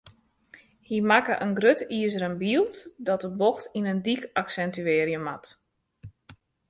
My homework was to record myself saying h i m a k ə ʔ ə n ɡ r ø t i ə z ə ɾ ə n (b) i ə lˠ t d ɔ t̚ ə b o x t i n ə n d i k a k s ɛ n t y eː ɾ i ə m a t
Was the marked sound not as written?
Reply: no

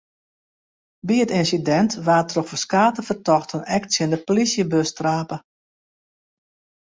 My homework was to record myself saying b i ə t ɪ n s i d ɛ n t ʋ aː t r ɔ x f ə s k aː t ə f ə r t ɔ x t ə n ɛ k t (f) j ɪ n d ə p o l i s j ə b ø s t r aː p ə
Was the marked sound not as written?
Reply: yes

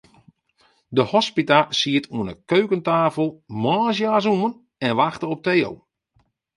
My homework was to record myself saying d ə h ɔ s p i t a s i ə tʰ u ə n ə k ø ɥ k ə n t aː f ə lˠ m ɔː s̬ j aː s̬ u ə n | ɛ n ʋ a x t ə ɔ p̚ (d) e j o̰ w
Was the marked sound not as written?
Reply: yes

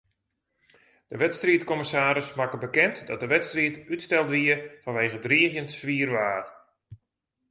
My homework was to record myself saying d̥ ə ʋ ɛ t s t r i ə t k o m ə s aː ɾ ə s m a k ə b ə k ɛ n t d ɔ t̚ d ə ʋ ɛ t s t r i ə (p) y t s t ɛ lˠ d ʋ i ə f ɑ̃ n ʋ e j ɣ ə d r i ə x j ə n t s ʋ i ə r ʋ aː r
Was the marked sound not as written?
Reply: yes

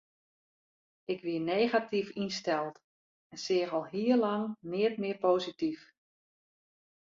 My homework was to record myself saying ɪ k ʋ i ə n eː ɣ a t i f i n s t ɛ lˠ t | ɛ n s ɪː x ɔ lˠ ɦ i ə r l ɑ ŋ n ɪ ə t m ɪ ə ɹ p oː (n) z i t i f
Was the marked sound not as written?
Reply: yes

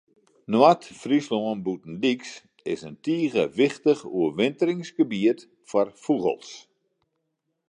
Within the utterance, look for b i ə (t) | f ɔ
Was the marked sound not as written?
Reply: no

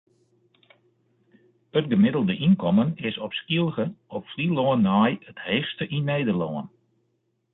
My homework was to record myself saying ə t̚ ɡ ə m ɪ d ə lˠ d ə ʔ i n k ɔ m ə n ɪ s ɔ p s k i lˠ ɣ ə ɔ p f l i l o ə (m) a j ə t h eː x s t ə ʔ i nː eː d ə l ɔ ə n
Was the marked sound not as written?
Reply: yes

